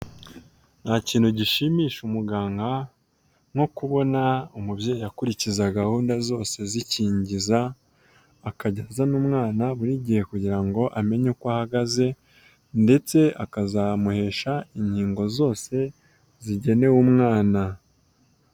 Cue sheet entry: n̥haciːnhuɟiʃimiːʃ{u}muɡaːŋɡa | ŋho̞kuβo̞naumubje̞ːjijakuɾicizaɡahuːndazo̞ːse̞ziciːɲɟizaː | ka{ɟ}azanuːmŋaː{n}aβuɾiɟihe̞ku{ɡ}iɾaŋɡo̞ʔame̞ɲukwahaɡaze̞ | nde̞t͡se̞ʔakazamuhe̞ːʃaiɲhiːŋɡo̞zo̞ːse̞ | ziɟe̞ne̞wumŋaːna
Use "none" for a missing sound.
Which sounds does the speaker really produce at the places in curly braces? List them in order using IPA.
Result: u, ɟ, n, ɟ

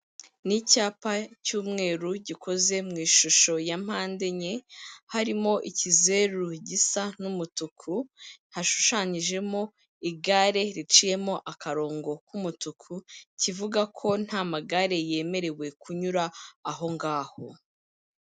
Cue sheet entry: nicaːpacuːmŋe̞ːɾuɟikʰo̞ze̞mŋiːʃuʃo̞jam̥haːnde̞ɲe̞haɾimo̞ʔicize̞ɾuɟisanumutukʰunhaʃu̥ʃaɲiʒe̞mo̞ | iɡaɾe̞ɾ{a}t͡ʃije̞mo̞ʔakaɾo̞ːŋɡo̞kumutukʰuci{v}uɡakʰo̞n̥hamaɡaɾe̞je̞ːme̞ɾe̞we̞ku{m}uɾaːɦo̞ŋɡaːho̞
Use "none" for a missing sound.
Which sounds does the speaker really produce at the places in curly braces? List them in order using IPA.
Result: i, v, ɲ

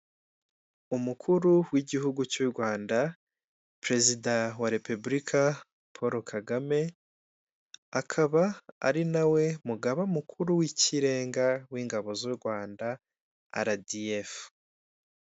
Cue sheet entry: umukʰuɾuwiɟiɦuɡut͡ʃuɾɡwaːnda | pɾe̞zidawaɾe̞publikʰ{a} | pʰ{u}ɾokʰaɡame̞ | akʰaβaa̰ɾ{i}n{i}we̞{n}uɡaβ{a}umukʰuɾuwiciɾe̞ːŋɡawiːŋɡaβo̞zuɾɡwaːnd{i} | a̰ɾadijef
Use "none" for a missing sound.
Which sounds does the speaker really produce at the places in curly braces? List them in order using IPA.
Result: a, o, i, a, m, a, a

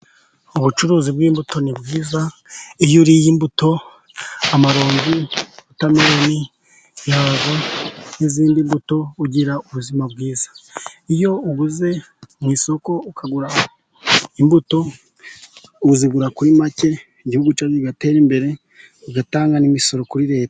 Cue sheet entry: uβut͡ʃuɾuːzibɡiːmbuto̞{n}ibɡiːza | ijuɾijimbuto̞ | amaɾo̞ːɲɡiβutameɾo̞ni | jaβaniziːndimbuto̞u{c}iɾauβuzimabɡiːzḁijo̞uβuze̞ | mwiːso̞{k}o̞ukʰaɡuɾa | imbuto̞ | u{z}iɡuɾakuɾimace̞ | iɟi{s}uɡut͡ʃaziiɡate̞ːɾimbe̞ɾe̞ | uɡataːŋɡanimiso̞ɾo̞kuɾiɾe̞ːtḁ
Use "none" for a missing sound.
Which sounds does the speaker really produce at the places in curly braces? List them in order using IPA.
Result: n, ɟ, k, z, h

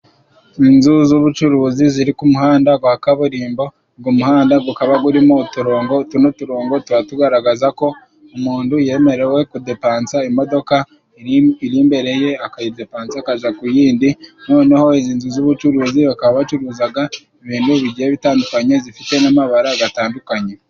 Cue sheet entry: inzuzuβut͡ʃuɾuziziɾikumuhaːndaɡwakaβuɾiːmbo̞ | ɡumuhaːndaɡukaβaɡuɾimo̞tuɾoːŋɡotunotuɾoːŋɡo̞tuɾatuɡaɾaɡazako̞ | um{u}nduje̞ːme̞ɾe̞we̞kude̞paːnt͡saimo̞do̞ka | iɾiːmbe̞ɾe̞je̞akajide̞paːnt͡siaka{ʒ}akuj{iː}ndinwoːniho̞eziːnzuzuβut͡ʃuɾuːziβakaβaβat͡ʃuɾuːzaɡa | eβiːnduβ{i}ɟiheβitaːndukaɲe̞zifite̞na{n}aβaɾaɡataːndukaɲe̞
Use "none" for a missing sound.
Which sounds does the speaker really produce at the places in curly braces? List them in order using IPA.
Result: uː, ʒ, iː, i, m

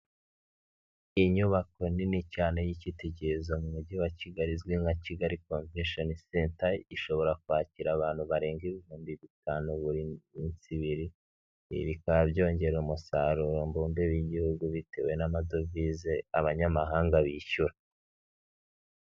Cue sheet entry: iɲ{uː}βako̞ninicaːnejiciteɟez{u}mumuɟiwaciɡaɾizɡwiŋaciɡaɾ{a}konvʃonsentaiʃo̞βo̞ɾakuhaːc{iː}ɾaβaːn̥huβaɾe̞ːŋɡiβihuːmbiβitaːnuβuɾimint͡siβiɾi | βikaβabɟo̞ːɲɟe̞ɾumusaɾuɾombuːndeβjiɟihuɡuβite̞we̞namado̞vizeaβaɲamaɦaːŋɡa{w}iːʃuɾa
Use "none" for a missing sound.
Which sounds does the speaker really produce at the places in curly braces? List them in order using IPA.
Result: u, o, i, i, β

